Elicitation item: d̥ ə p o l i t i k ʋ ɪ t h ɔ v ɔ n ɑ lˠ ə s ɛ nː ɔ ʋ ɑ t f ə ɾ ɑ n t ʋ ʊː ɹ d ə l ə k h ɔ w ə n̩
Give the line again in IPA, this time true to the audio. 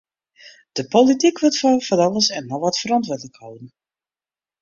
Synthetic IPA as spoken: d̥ ə p o l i t i k ʋ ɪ t f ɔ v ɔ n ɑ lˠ ə s ɛ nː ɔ ʋ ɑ t f ə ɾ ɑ n t ʋ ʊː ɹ d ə l ə k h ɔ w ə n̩